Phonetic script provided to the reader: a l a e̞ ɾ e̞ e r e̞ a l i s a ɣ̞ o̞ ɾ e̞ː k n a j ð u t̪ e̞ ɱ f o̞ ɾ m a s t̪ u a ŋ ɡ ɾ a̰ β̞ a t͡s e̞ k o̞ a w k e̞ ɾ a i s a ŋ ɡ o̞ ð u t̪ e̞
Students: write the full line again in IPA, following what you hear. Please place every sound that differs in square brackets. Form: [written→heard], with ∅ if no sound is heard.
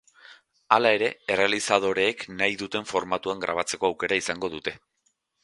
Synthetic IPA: a l a e̞ ɾ e̞ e r e̞ a l i s a [ɣ̞→ð̞] o̞ ɾ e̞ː k n a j ð u t̪ e̞ ɱ f o̞ ɾ m a [s→∅] t̪ u a ŋ ɡ ɾ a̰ β̞ a t͡s e̞ k o̞ a w k e̞ ɾ a i s a ŋ ɡ o̞ ð u t̪ e̞